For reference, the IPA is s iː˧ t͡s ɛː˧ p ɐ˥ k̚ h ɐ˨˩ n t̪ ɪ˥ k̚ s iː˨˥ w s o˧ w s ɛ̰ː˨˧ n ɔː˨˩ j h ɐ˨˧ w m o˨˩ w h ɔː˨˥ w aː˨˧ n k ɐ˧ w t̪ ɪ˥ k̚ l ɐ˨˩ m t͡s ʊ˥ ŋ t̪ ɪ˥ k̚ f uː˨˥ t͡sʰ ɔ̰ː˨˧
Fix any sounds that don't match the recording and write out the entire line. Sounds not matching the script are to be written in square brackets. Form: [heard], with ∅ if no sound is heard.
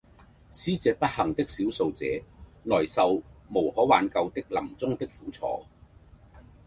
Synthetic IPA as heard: s [iː˥] t͡s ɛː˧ p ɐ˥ [t̚] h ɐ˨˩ [ŋ] t̪ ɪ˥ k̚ s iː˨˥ w s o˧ w [t͡s] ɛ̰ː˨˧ n ɔː˨˩ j [s] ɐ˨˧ w m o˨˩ w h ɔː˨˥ w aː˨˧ n k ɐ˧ w t̪ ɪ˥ k̚ l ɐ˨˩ m t͡s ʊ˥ ŋ t̪ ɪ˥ k̚ f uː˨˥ t͡sʰ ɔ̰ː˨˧